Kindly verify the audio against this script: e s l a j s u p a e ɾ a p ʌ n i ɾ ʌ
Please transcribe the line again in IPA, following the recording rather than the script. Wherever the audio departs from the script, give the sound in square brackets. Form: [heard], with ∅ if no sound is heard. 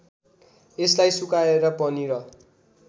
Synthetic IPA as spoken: e s l a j s u [k] a e ɾ [ʌ] p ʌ n i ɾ ʌ